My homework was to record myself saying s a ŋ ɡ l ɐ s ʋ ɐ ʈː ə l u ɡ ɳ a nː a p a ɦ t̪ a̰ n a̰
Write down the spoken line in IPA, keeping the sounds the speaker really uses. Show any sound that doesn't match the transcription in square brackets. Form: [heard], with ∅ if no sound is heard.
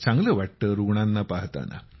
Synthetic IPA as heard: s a ŋ ɡ l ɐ [∅] ʋ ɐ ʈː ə [ɾ] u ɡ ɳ a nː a p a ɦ t̪ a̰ n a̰